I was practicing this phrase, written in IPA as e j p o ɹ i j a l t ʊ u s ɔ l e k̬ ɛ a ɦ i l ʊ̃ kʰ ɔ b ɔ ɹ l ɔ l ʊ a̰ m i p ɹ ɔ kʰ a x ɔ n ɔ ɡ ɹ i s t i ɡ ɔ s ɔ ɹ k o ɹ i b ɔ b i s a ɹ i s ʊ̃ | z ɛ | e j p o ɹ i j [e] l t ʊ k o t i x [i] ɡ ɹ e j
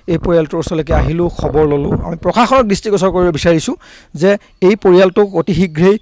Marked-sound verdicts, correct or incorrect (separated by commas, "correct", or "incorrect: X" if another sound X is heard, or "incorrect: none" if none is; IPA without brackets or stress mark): incorrect: a, correct